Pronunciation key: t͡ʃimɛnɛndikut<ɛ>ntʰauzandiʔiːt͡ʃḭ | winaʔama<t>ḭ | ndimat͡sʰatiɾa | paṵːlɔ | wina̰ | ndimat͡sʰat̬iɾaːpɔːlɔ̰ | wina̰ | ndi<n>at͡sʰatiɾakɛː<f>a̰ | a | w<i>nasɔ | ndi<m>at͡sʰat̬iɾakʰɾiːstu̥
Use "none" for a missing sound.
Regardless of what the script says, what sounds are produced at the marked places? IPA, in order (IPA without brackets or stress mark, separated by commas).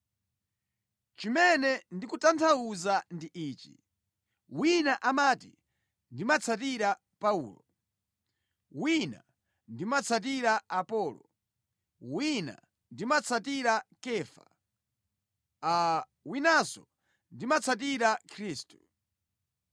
a, t, m, f, i, m